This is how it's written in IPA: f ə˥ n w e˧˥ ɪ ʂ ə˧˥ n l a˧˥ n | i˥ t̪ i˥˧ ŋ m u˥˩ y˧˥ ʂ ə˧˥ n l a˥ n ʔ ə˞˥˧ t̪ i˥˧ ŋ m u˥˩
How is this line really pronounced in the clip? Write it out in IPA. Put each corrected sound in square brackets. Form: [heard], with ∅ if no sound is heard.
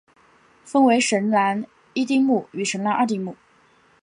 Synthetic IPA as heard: f ə˥ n w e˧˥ ɪ ʂ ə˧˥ n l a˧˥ n | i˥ t̪ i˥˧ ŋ m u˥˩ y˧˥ ʂ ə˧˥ n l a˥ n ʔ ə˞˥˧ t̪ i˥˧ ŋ m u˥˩

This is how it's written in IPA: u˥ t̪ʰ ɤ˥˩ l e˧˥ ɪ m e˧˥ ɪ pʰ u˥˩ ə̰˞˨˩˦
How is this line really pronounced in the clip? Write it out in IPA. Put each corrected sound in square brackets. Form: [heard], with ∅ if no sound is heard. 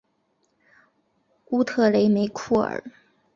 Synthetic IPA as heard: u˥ t̪ʰ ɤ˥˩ l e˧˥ ɪ m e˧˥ ɪ [kʰ] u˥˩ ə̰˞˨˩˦

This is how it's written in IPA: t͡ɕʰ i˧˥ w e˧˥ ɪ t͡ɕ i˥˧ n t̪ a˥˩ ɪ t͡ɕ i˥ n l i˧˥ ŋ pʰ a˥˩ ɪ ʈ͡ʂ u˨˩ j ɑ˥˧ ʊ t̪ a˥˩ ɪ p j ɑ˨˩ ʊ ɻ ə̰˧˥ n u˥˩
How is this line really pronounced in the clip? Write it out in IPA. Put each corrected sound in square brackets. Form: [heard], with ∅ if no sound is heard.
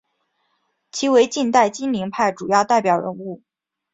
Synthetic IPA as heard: t͡ɕʰ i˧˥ w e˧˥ ɪ t͡ɕ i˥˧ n t̪ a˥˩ ɪ t͡ɕ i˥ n l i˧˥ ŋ pʰ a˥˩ ɪ ʈ͡ʂ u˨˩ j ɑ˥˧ ʊ t̪ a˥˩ ɪ p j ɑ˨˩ ʊ ɻ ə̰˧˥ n u˥˩

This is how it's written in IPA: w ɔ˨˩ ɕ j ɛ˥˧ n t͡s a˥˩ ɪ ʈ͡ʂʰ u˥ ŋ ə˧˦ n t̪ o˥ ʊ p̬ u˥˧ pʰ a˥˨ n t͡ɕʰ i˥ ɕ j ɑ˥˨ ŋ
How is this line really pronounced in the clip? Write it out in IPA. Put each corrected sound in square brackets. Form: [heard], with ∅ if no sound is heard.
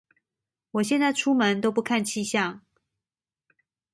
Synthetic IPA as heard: w ɔ˨˩ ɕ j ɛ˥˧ n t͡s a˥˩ ɪ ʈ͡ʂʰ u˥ [m] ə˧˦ n t̪ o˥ ʊ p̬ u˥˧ [kʰ] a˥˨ n t͡ɕʰ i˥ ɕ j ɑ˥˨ ŋ

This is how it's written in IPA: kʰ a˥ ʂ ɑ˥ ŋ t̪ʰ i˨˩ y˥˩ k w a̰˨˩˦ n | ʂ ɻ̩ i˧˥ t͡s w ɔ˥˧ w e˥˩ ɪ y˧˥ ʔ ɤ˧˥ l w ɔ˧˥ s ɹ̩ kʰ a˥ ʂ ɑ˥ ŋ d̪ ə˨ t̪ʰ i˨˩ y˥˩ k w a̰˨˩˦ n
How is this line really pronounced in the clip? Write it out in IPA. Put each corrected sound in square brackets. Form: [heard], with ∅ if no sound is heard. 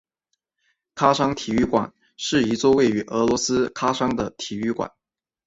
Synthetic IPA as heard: kʰ a˥ ʂ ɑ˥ ŋ t̪ʰ i˨˩ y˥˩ k w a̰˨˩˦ n | ʂ ɻ̩ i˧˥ t͡s w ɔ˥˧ w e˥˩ ɪ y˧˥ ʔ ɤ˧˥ l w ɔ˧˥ s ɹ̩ kʰ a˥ ʂ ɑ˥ ŋ d̪ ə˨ t̪ʰ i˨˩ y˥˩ k w a̰˨˩˦ n

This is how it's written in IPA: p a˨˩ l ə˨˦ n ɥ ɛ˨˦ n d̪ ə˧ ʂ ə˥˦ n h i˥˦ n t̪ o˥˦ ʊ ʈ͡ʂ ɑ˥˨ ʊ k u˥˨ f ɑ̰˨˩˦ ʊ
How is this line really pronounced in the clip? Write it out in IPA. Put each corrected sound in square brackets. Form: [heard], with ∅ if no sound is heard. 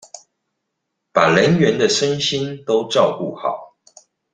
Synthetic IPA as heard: p a˨˩ l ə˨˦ n ɥ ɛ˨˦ n d̪ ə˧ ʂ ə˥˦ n [ɕ] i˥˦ n t̪ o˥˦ ʊ ʈ͡ʂ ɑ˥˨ ʊ k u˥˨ [x] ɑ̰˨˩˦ ʊ

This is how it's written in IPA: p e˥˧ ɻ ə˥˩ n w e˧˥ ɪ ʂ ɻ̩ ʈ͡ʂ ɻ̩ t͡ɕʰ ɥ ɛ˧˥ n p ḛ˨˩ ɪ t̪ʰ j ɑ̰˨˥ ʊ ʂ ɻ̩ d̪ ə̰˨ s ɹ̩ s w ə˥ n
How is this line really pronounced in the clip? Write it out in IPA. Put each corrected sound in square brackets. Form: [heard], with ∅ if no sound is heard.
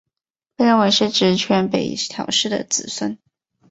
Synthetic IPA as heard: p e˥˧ ɻ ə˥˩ n w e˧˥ ɪ ʂ ɻ̩ ʈ͡ʂ ɻ̩ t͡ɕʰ ɥ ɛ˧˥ n p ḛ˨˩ ɪ t̪ʰ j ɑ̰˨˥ ʊ ʂ ɻ̩ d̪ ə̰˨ [t͡s] ɹ̩ s w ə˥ n

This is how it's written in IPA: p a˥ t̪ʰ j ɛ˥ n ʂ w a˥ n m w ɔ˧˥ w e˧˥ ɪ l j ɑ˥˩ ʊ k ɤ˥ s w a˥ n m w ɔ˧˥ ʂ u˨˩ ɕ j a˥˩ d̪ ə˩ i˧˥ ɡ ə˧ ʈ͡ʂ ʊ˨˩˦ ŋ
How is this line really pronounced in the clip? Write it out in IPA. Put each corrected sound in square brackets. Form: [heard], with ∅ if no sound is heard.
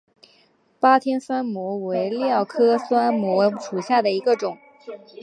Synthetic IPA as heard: p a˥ t̪ʰ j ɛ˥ n [s] w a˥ n m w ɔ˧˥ w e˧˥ ɪ l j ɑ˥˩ ʊ [kʰ] ɤ˥ s w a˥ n m w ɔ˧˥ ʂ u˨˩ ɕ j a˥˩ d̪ ə˩ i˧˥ ɡ ə˧ ʈ͡ʂ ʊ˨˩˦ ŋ

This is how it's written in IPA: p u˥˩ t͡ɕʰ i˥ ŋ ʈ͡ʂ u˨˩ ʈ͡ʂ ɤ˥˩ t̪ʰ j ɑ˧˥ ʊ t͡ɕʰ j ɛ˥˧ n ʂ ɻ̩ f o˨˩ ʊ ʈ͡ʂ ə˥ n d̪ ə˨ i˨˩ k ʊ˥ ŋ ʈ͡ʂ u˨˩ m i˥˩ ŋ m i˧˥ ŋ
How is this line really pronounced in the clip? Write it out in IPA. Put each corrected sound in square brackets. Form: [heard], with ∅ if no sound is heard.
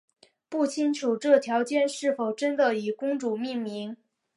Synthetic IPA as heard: p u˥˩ t͡ɕʰ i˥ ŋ [ʈ͡ʂʰ] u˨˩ ʈ͡ʂ ɤ˥˩ t̪ʰ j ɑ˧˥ ʊ [t͡ɕ] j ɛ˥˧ n ʂ ɻ̩ f o˨˩ ʊ ʈ͡ʂ ə˥ n d̪ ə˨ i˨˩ k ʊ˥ ŋ ʈ͡ʂ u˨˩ m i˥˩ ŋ m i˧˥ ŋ

